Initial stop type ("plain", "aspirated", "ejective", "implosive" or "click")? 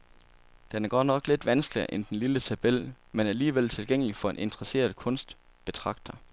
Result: plain